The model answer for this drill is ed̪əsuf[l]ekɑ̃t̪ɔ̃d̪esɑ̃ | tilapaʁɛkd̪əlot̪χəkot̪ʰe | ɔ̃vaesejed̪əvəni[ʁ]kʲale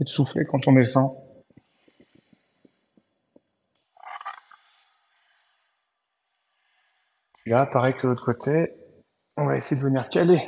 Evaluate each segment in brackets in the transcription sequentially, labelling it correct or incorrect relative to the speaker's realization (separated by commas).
correct, correct